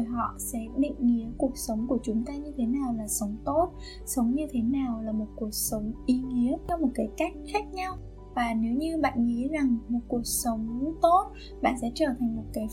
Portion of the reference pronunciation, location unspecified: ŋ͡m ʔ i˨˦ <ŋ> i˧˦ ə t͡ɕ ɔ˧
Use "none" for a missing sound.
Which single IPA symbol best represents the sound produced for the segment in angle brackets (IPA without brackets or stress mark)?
ŋ